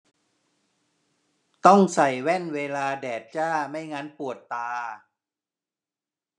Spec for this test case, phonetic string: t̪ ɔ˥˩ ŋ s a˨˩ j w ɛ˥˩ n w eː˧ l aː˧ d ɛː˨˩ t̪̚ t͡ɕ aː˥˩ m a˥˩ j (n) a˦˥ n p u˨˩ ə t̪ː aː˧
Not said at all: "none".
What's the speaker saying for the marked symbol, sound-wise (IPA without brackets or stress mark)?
ŋ